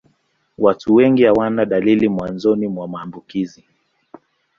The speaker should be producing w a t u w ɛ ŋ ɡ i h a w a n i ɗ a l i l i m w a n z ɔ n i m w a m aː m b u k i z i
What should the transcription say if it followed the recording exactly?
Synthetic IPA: w a t u w ɛ ŋ ɡ i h a w a n a ɗ a l i l i m w a n z ɔ n i m w a m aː m b u k i z i

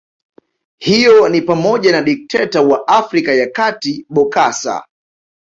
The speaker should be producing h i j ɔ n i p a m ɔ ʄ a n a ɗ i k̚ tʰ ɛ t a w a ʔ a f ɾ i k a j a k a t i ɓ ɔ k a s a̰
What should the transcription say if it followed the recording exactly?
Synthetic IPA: h i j ɔ n i p a m ɔ ʄ a n a ɗ i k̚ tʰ ɛ t a w a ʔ a f ɾ i k a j a k a t i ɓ ɔ k a s a̰

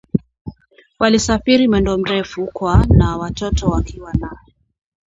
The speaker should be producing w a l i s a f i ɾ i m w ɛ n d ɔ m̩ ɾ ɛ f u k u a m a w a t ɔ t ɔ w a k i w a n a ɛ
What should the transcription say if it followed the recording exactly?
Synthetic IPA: w a l i s a f i ɾ i m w ɛ n d ɔ m̩ ɾ ɛ f u k w a n a w a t ɔ t ɔ w a k i w a n a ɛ

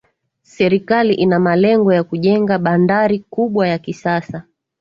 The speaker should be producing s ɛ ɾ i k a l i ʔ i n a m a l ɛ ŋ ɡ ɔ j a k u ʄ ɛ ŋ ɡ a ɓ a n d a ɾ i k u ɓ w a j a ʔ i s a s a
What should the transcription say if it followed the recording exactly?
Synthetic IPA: s ɛ ɾ i k a l i ʔ i n a m a l ɛ ŋ ɡ ɔ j a k u ʄ ɛ ŋ ɡ a ɓ a n d a ɾ i k u ɓ w a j a k i s a s a

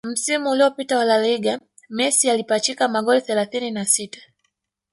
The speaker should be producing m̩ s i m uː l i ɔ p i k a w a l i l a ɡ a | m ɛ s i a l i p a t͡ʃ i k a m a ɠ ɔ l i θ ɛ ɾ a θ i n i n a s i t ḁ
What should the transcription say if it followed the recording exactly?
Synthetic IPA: m̩ s i m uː l i ɔ p i t a w a l a l i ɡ a | m ɛ s i a l i p a t͡ʃ i k a m a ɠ ɔ l i θ ɛ l a θ i n i n a s i t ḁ

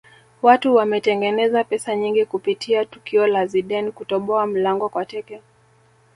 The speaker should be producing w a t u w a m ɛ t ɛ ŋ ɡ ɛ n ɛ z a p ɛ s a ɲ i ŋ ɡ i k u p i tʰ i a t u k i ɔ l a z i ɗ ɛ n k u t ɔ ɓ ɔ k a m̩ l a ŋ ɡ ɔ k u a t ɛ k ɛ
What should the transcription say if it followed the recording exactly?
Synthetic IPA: w a t u w a m ɛ t ɛ ŋ ɡ ɛ n ɛ z a p ɛ s a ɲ i ŋ ɡ i k u p i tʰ i a t u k i ɔ l a z i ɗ ɛ n k u t ɔ ɓ ɔ a m̩ l a ŋ ɡ ɔ k w a t ɛ k ɛ

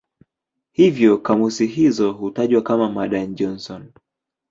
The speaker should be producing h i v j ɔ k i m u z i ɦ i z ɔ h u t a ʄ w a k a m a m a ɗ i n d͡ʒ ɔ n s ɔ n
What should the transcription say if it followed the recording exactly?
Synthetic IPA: h i v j ɔ k a m u s i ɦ i z ɔ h u t a ʄ w a k a m a m a ɗ a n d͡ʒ ɔ n s ɔ n

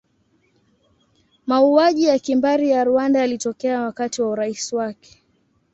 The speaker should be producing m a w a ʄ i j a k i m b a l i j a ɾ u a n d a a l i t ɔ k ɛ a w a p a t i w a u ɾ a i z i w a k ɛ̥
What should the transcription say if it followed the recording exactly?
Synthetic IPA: m a u a ʄ i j a k i m b a ɾ i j a ɾ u a n d a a l i t ɔ k ɛ a w a k a t i w a u ɾ a i s i w a k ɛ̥

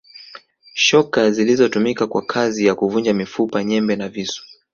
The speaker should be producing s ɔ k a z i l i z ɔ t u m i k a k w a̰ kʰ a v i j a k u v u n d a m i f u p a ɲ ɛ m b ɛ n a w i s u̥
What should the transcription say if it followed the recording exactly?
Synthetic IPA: ʃ ɔ k a z i l i z ɔ t u m i k a k w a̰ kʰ a z i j a k u v u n d͡ʒ a m i f u p a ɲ ɛ m b ɛ n a v i s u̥

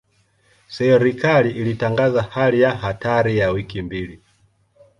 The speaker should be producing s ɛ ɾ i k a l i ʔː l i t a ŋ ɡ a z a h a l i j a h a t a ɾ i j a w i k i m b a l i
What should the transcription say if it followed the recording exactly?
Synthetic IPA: s ɛ ɾ i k a l i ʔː l i t a ŋ ɡ a z a h a l i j a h a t a ɾ i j a w i k i m b i l i

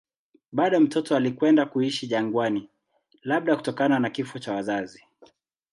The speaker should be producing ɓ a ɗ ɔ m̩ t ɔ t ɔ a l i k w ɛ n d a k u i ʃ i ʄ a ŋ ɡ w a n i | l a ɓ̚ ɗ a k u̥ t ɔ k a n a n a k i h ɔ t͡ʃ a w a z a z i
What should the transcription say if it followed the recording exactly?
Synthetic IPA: ɓ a ɗ ɔ m̩ t ɔ t ɔ a l i k w ɛ n d a k u i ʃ i ʄ a ŋ ɡ w a n i | l a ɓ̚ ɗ a k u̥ t ɔ k a n a n a k i f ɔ t͡ʃ a w a z a z i

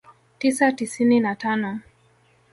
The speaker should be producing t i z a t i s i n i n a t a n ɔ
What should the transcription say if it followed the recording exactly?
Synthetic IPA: t i s a t i s i n i n a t a n ɔ

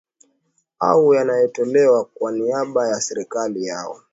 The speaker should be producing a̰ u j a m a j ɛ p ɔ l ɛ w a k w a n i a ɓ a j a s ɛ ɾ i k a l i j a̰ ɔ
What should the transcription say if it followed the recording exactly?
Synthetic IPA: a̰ u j a n a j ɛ t ɔ l ɛ w a k w a n i a ɓ a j a s ɛ ɾ i k a l i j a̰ ɔ

